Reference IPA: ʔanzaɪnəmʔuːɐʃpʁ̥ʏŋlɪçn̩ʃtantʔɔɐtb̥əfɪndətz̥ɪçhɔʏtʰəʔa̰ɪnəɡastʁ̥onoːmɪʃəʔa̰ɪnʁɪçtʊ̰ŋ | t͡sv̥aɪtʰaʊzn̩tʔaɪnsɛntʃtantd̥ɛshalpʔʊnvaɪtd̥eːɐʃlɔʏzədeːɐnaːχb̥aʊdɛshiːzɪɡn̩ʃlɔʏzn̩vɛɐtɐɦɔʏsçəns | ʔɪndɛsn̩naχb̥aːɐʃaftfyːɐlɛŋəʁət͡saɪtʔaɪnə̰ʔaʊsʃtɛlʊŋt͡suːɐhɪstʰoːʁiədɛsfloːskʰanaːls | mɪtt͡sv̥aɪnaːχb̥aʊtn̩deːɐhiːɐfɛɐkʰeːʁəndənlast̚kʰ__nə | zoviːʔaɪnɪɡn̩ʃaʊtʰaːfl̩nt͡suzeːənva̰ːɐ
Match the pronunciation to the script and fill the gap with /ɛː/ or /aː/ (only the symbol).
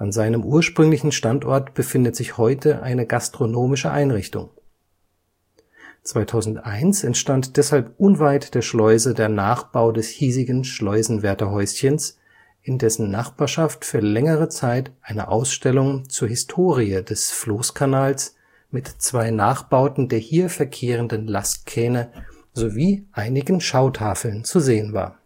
ɛː